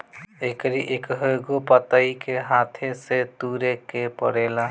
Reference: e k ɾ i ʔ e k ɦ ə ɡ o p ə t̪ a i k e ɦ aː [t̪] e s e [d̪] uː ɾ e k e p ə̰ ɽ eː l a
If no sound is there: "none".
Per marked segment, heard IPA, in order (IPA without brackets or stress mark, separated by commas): t̪ʰ, t̪